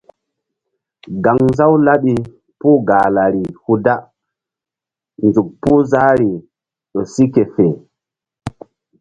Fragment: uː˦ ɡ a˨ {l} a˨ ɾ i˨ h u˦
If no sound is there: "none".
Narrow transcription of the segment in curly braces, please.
l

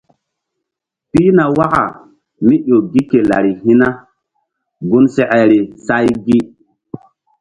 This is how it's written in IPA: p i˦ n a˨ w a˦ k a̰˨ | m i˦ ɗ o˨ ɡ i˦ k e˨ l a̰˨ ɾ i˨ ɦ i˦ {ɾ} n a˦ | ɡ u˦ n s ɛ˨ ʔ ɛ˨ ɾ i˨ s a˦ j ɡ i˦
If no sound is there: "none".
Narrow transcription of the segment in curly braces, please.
none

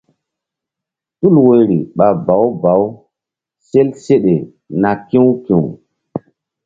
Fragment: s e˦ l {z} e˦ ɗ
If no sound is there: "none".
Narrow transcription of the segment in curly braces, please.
s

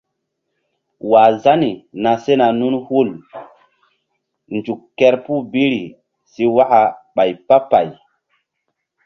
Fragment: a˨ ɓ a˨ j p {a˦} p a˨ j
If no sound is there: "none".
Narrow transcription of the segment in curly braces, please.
a˦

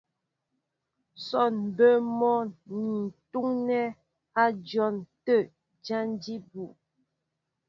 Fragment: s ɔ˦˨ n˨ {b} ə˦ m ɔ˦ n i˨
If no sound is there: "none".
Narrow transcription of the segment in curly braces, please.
b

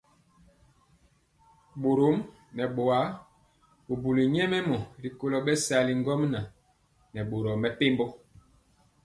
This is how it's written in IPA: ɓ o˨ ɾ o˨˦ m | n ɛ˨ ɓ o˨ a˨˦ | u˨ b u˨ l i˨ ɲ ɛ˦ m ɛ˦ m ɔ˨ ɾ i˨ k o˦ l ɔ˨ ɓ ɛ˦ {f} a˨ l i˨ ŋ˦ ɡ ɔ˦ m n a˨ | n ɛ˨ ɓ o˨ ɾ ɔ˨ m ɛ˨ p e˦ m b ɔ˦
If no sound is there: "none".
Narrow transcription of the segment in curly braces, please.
s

